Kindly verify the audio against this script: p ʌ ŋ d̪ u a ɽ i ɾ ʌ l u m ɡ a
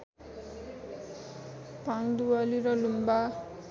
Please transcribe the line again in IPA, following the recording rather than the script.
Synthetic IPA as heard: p a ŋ d̪ u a l i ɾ ʌ l u m b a

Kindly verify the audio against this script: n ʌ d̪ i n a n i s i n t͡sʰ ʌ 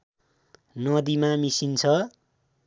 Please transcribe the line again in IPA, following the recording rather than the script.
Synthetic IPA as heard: n ʌ d̪ i m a m i s i n t͡sʰ ʌ

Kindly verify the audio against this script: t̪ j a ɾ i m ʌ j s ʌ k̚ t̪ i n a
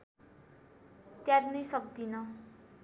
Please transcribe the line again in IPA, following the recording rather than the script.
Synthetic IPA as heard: t̪ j a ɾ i n ʌ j s ʌ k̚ d̪ i n ʌ

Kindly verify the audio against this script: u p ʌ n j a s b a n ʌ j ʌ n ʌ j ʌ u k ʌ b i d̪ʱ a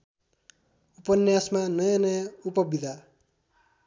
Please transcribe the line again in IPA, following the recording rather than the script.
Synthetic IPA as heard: u p ʌ n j a s m a n ʌ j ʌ n ʌ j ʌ u p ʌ b i d̪ʱ a

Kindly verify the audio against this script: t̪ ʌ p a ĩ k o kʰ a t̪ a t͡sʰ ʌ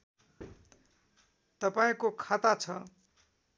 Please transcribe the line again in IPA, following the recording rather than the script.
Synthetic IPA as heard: t̪ ʌ p a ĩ k o kʰ a t̪ a t͡sʰ ʌ

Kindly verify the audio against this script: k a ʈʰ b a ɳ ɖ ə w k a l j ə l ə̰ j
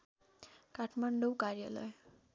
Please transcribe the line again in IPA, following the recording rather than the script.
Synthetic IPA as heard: k a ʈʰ m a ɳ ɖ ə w k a ɾ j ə l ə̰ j

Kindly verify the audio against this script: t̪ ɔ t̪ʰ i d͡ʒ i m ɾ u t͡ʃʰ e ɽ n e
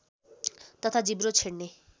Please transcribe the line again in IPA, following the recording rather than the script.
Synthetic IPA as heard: t̪ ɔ t̪ʰ a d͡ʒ i b ɾ o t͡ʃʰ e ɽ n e

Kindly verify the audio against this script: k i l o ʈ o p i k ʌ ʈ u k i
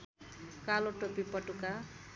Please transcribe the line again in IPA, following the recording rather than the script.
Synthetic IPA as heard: k a l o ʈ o p i p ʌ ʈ u k a

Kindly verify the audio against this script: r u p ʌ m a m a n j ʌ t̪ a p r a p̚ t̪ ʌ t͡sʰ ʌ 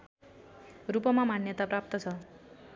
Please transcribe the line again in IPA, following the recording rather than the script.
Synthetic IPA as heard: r u p ʌ m a m a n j ʌ t̪ a p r a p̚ t̪ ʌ t͡sʰ ʌ

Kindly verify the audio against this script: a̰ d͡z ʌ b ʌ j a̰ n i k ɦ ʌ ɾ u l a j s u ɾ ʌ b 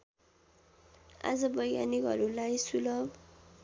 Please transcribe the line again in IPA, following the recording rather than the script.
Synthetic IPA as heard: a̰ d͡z ʌ b ʌ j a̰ n i k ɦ ʌ ɾ u l a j s u l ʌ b

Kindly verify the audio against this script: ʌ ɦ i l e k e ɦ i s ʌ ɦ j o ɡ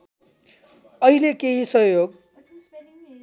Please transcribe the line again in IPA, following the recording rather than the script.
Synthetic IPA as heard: ʌ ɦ i l e k e ɦ i s ʌ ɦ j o ɡ

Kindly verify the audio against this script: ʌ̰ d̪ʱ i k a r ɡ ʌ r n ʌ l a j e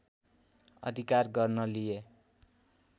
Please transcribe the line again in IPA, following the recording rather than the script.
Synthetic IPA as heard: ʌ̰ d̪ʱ i k a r ɡ ʌ r n ʌ l i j e

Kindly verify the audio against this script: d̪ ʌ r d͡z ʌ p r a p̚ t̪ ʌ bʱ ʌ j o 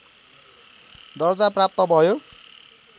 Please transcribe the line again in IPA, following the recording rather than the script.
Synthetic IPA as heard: d̪ ʌ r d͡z a p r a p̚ t̪ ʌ bʱ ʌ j o

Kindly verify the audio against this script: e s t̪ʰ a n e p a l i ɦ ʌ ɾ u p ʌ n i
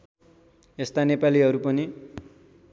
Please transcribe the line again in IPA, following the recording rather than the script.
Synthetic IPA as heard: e s t̪ a n e p a l i ɦ ʌ ɾ u p ʌ n i

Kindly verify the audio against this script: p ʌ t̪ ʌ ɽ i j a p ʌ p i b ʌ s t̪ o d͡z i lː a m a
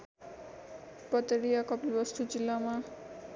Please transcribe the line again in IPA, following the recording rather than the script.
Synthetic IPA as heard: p ʌ t̪ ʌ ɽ i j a k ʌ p i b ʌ s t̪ u d͡z i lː a m a

